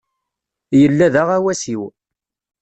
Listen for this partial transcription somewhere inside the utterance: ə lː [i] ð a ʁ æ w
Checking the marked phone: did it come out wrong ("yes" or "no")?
yes